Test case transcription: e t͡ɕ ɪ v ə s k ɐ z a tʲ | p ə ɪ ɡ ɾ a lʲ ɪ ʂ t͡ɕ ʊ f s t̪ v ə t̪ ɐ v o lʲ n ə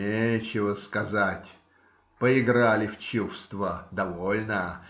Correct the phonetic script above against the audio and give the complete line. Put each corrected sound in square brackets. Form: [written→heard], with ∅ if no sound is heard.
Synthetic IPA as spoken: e t͡ɕ ɪ v ə s k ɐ z a tʲ | p ə ɪ ɡ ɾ a lʲ ɪ [ʂ→f] t͡ɕ [ʊ→u] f s t̪ v ə [t̪→d̪] ɐ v o lʲ n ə